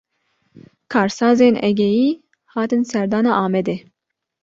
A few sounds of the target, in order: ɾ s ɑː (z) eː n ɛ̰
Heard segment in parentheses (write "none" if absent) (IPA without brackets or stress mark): z